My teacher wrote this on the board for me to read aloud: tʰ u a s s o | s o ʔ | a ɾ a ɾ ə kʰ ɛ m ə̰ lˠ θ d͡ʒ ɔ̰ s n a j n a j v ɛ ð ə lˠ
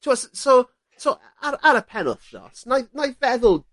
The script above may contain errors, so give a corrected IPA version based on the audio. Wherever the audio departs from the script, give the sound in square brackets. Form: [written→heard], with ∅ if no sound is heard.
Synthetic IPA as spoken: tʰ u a s s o | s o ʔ | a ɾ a ɾ ə [kʰ→pʰ] ɛ [m→n] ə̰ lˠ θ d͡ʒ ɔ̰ s n a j n a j v ɛ ð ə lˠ